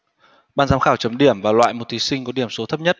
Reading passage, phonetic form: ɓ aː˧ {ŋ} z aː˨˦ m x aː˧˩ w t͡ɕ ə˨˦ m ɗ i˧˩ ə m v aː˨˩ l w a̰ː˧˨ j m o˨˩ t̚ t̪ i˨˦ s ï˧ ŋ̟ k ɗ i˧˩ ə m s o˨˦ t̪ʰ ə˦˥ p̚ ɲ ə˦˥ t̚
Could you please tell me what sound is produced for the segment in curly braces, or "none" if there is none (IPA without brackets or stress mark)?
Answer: n